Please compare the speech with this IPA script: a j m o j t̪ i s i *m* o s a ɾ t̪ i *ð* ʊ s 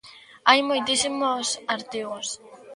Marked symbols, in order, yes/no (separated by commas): yes, no